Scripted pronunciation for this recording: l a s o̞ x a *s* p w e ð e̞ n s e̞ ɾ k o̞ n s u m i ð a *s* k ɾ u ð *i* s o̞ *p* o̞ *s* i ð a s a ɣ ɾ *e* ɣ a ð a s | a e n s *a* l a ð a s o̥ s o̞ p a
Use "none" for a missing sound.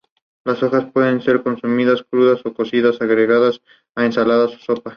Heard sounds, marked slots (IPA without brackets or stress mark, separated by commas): s, s, a, k, s, e, a